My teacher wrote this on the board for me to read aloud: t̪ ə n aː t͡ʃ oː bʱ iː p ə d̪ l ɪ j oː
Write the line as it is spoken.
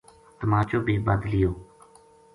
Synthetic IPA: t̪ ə m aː t͡ʃ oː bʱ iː b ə d̪ l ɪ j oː